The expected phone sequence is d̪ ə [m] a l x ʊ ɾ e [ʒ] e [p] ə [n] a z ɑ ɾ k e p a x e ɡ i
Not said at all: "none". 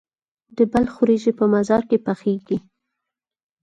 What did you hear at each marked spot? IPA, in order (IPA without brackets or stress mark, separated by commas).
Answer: b, ʒ, p, m